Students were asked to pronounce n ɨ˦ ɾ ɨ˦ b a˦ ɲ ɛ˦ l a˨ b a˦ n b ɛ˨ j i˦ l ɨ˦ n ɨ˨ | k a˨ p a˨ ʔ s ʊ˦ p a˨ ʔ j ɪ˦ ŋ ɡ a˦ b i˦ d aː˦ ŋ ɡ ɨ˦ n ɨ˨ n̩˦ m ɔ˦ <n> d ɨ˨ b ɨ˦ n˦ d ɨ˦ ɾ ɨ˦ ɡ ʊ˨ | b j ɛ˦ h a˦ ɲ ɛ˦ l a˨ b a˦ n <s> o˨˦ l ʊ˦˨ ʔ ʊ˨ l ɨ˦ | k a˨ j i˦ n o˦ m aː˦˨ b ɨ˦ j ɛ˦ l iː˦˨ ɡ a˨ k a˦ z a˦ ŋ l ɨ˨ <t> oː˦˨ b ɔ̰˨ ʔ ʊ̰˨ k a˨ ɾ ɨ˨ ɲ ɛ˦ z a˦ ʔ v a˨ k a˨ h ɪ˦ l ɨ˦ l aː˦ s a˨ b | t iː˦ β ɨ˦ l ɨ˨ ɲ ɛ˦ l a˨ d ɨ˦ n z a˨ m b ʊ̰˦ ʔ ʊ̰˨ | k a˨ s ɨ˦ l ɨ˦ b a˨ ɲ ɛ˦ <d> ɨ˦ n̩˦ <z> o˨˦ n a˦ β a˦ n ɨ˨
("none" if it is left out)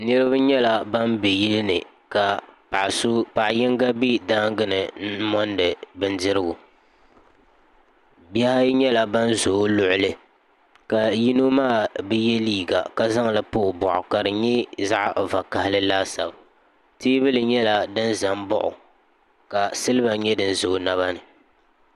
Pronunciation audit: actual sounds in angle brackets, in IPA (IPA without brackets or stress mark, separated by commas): n, z, p, d, z